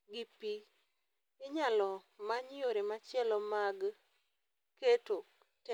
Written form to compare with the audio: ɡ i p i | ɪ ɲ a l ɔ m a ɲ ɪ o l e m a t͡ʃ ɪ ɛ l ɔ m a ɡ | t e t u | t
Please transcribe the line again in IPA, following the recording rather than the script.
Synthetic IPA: ɡ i p i | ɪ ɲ a l ɔ m a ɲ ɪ o ɾ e m a t͡ʃ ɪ ɛ l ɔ m a ɡ | k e t o | t